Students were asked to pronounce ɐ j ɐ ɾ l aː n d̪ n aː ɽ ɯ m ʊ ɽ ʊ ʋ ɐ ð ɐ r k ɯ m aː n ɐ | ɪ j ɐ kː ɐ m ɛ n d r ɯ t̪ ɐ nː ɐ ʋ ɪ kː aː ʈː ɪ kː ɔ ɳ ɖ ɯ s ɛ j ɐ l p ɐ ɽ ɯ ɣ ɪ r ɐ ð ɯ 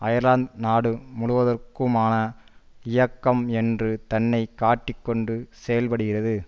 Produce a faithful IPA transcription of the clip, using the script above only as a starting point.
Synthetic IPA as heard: ɐ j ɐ ɾ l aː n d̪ n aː ɽ ɯ m ʊ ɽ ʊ ʋ ɐ ð ɐ r k ɯ m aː n ɐ | ɪ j ɐ kː ɐ m ɛ n d r ɯ t̪ ɐ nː ɐ ɪ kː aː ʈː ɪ kː ɔ ɳ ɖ ɯ s ɛ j ɐ l p ɐ ɽ ɯ ɣ ɪ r ɐ ð ɯ